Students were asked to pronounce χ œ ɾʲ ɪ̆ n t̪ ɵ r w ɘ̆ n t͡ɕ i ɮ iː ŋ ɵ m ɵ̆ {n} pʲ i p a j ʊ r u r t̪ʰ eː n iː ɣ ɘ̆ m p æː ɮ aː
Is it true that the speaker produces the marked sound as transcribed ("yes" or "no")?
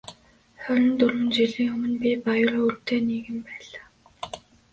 yes